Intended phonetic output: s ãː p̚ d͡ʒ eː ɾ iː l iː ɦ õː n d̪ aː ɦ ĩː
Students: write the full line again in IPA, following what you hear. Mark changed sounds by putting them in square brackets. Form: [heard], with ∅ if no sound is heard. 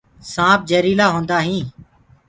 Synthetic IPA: s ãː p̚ d͡ʒ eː ɾ iː l [aː] ɦ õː n d̪ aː ɦ ĩː